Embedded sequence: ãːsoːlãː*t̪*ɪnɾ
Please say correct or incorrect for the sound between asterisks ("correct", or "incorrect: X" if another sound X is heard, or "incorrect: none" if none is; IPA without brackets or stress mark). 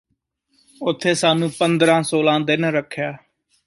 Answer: incorrect: d̪